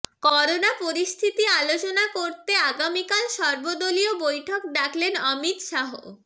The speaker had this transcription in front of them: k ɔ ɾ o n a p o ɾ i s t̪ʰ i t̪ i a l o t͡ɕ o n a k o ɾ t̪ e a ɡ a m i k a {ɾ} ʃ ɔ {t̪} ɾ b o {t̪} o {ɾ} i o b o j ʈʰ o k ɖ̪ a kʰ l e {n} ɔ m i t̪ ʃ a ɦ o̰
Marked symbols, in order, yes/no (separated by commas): no, no, no, no, yes